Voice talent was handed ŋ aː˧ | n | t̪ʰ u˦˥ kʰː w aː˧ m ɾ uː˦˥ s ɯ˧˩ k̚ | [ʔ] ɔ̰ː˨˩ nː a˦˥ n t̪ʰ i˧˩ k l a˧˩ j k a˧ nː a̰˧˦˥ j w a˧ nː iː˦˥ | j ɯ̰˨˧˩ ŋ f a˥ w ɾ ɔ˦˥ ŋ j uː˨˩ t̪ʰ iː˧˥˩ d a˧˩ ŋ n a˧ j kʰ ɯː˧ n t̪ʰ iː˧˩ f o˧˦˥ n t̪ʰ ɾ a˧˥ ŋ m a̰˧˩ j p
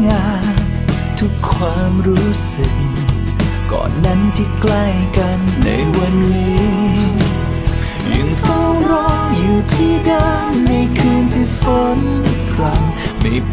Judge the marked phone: incorrect: k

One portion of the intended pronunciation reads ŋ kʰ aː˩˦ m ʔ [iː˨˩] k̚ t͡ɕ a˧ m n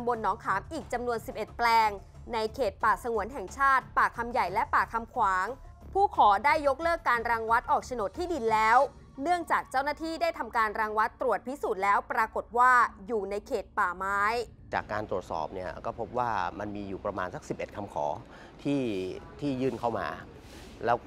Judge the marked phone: correct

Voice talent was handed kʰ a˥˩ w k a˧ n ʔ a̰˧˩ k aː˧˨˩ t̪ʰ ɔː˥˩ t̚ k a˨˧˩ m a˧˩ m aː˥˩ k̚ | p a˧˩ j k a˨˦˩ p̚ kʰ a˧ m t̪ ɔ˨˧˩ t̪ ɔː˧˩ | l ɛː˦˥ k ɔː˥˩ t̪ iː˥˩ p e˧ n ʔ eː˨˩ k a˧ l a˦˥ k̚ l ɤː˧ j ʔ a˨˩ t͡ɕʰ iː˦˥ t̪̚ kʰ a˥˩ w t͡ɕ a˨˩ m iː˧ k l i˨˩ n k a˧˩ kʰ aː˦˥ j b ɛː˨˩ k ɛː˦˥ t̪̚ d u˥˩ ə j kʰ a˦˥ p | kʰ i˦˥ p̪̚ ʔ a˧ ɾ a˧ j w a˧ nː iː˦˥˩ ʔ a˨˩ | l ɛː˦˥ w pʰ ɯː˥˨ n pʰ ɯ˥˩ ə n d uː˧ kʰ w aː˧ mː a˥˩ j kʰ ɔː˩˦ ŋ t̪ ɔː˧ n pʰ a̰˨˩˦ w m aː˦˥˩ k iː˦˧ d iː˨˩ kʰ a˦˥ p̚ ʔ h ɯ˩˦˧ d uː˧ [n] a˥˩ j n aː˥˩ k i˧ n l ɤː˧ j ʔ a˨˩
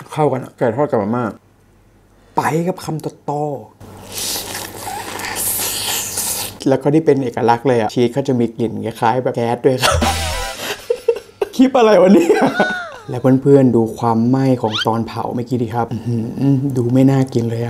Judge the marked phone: incorrect: m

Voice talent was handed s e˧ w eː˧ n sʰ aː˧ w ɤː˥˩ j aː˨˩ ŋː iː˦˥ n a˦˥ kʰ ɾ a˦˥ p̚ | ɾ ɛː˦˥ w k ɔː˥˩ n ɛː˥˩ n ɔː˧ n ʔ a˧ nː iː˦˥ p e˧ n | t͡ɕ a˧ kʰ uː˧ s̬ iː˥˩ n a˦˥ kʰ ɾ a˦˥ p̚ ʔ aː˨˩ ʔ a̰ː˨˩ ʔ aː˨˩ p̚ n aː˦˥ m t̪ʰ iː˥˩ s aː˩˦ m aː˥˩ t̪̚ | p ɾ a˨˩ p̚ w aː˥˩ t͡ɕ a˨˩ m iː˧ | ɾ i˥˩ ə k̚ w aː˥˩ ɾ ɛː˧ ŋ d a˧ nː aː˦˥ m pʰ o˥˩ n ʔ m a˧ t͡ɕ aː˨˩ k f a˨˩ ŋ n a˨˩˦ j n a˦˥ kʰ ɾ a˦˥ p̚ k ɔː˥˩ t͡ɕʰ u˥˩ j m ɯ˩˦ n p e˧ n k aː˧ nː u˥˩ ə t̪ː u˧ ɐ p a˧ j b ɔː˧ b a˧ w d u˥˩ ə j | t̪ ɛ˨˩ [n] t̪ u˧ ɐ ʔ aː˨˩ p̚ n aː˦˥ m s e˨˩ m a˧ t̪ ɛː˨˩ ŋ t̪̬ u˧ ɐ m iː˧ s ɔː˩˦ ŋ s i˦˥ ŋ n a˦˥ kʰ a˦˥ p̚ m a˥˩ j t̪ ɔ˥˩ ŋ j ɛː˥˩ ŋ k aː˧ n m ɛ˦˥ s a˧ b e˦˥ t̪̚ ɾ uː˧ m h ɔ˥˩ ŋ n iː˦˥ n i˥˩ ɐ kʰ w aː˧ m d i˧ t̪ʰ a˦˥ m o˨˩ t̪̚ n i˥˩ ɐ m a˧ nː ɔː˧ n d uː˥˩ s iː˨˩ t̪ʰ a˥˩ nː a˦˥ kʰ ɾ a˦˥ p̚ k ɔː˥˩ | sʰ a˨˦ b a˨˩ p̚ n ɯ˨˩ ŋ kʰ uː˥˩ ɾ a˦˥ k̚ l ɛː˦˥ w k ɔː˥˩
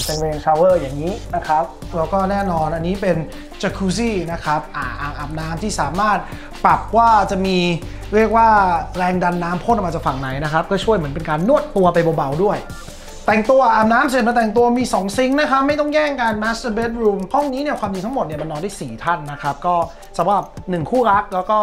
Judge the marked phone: incorrect: ŋ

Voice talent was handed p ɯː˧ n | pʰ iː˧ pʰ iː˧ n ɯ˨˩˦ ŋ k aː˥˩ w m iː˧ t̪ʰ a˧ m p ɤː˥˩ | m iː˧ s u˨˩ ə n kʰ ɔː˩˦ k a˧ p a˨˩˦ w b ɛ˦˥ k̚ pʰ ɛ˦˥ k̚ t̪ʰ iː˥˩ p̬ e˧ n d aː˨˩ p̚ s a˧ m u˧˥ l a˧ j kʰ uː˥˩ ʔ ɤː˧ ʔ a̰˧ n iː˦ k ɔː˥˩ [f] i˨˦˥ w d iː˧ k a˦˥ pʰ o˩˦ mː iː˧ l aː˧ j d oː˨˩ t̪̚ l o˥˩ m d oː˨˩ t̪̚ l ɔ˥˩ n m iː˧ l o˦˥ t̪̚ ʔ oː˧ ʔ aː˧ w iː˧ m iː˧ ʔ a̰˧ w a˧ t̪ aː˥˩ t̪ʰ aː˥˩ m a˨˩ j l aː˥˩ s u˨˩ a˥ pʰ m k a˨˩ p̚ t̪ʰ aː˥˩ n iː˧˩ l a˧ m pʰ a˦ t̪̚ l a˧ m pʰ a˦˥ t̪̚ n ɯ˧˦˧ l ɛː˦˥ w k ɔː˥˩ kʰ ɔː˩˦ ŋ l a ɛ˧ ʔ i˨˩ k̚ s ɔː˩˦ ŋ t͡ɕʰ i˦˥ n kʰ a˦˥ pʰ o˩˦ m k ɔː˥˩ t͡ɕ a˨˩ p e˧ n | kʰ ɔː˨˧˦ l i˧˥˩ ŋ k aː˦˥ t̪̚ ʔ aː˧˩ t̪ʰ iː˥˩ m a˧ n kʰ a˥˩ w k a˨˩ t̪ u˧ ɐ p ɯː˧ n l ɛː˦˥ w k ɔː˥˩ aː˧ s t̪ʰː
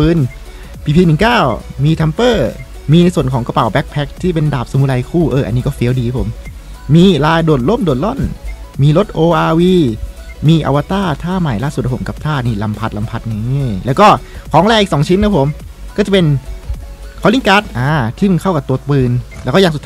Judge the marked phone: correct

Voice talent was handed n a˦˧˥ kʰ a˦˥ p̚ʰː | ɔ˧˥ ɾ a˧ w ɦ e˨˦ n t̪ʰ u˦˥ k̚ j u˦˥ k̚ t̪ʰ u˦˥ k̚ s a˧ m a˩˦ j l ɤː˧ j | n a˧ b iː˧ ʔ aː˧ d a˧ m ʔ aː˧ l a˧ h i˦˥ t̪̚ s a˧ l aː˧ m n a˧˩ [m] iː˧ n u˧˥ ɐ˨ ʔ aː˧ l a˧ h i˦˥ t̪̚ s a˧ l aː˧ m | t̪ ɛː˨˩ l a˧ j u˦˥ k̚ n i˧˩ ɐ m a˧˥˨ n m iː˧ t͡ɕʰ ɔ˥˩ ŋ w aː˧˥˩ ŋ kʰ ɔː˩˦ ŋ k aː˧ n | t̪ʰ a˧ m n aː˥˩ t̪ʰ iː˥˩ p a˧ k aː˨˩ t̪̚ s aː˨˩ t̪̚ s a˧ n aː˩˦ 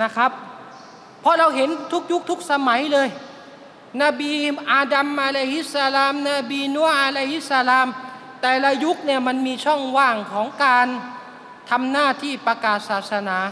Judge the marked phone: incorrect: b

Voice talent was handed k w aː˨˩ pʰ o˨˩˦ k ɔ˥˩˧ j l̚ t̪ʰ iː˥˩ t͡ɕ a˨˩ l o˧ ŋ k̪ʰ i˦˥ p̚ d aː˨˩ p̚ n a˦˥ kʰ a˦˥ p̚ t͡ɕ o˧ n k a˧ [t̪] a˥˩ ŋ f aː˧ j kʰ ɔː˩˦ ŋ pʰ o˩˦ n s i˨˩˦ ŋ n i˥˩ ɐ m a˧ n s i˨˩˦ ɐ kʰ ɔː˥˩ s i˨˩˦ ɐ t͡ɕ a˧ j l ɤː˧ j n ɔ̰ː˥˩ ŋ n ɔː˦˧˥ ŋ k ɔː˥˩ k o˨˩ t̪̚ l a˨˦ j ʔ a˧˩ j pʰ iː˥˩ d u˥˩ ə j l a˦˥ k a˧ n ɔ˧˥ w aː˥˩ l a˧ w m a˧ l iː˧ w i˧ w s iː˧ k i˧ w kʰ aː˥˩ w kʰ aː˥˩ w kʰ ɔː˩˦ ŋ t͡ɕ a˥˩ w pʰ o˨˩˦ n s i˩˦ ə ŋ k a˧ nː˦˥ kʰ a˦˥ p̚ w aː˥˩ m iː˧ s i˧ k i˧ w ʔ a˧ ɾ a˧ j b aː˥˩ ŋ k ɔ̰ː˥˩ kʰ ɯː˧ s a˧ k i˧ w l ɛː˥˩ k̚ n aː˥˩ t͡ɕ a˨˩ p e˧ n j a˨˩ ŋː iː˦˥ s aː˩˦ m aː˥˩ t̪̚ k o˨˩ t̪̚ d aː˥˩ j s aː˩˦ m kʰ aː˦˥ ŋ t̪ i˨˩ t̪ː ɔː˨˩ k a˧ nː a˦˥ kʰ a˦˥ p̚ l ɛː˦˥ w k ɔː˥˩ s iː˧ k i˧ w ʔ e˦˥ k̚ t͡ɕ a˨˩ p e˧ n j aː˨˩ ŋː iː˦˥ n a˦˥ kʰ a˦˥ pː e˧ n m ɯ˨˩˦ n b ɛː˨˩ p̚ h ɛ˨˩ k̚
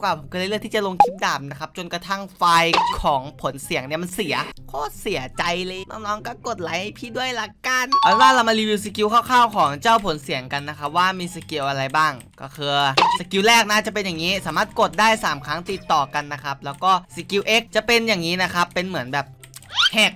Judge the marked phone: incorrect: t̪ʰ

